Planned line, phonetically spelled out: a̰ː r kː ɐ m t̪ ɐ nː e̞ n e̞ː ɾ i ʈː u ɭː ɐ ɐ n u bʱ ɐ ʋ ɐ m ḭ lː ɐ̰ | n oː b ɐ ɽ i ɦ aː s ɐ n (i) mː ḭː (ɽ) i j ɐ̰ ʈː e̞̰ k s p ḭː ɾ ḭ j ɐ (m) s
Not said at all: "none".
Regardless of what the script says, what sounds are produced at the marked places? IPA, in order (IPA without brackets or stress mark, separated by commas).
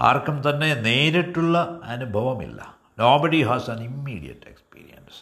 i, ɽ, n